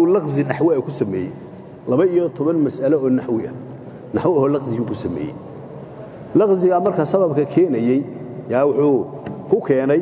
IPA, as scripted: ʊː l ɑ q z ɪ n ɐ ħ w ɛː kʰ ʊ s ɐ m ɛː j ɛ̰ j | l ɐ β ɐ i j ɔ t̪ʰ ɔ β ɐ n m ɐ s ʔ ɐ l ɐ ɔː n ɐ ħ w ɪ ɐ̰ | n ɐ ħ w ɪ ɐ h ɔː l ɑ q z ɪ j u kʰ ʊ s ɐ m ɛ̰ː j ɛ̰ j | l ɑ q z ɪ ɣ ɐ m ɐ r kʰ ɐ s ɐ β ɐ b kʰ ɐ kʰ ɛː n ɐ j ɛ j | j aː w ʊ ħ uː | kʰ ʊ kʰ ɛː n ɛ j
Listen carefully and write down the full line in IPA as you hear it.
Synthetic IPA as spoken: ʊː l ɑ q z ɪ n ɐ ħ w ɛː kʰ ʊ s ɐ m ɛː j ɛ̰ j | l ɐ β ɐ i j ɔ t̪ʰ ɔ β ɐ n m ɐ s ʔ ɐ l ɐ ɔː n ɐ ħ w ɪ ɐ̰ | n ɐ ħ w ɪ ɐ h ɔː l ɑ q z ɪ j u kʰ ʊ s ɐ m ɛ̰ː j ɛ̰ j | l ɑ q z ɪ ɣ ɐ m ɐ r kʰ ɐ s ɐ β ɐ b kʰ ɐ kʰ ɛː n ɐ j ɛ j | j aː w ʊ ħ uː | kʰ ʊ kʰ ɛː n ɛ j